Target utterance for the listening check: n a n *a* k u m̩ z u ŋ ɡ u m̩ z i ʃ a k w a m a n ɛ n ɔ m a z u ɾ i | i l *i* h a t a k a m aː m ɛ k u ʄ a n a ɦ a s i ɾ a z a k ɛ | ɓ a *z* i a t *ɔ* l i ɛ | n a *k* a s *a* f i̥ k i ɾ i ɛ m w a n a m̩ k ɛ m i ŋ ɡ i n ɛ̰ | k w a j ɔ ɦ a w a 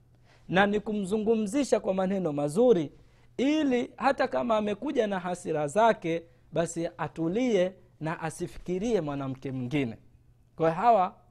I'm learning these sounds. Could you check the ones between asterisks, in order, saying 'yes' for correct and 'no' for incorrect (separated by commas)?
no, yes, no, no, no, no